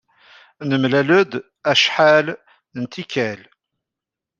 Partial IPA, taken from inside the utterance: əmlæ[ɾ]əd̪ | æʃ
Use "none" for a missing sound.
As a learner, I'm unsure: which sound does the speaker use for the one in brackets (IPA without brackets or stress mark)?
l